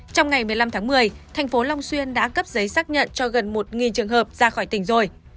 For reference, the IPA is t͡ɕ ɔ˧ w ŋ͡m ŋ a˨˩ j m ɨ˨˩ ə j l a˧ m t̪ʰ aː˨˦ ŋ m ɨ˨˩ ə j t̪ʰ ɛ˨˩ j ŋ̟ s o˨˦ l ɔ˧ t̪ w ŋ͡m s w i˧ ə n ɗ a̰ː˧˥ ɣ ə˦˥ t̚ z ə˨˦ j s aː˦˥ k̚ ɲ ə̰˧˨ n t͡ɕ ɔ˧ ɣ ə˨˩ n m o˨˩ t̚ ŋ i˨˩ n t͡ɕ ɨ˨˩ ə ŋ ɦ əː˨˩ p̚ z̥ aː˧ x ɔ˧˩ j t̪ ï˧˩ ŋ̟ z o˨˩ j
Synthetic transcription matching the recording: t͡ɕ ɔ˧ w ŋ͡m ŋ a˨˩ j m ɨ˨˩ ə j l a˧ m t̪ʰ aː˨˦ ŋ m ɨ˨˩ ə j t̪ʰ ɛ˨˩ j ŋ̟ f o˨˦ l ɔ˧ w ŋ͡m s w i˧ ə n ɗ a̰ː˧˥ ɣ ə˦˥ p̚ z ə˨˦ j s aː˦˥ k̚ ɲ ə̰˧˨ n t͡ɕ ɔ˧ ɣ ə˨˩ n m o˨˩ t̚ ŋ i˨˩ n t͡ɕ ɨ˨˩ ə ŋ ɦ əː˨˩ p̚ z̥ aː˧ x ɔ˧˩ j t̪ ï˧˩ ŋ̟ z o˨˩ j